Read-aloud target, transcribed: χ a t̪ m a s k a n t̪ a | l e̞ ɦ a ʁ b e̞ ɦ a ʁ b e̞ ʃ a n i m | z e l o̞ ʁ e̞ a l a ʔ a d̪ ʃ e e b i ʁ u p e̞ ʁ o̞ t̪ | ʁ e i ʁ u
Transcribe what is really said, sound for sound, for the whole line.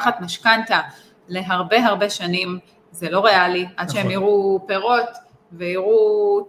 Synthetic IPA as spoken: χ a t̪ m a ʃ k a n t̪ a | l e̞ ɦ a ʁ b e̞ ɦ a ʁ b e̞ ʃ a n i m | z e l o̞ ʁ e̞ a l i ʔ a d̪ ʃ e e m i ʁ u p e̞ ʁ o̞ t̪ | v e i ʁ u